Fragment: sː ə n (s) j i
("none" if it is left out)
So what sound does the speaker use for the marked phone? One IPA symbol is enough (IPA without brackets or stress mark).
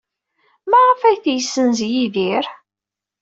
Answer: z